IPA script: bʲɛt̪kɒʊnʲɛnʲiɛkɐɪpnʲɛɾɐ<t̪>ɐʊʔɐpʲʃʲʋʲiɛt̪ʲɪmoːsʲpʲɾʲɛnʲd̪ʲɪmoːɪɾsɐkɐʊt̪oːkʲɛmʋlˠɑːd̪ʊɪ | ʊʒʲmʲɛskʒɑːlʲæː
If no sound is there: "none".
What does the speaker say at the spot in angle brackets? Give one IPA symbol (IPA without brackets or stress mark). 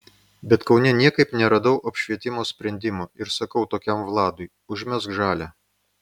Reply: d̪